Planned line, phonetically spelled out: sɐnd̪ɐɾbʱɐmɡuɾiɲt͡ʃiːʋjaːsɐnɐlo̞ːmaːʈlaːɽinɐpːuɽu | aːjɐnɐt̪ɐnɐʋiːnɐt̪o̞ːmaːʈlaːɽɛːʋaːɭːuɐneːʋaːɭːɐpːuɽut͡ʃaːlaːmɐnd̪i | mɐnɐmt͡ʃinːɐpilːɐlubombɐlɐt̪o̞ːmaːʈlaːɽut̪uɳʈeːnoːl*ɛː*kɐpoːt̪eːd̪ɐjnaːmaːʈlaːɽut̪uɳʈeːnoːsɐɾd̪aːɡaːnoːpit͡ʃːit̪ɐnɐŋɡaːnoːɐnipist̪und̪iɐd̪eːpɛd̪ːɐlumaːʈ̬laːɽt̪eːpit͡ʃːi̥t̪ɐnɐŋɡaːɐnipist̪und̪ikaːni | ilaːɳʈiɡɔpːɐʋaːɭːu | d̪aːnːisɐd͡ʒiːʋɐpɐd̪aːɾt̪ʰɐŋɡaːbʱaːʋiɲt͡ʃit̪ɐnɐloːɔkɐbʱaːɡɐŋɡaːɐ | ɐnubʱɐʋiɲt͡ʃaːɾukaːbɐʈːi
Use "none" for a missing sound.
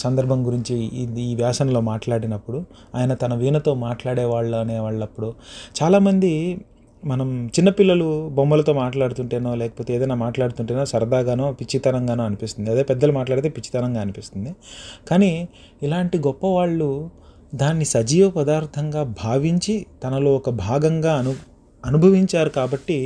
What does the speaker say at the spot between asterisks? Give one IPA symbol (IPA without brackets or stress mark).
ɛː